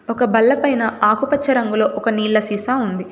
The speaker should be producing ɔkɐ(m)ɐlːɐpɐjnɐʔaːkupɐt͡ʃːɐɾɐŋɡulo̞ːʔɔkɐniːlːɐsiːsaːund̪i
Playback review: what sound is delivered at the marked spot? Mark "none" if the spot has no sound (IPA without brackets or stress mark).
b